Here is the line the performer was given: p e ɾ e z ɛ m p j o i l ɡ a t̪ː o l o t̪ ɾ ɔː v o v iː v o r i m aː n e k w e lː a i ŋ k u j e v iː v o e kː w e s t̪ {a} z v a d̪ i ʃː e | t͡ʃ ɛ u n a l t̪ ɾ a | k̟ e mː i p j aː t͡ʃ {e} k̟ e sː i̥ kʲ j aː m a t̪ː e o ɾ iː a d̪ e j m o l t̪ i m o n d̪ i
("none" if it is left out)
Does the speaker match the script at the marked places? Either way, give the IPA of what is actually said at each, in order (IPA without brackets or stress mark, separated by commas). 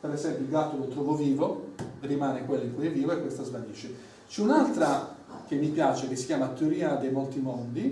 a, e